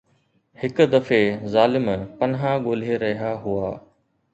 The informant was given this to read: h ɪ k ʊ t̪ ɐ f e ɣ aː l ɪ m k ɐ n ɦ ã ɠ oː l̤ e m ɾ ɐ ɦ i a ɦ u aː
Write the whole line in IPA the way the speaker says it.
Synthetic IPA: h ɪ k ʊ d̪ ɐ f e z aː l ɪ m p ɐ n ɦ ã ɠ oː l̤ e ɾ ɐ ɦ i a ɦ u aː